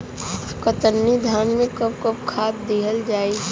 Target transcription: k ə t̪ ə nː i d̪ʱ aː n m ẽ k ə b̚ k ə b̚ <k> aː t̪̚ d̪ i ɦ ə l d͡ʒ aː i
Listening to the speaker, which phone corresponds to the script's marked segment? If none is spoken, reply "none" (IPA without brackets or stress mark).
kʰ